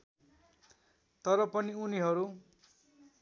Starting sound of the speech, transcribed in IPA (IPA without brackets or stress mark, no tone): t̪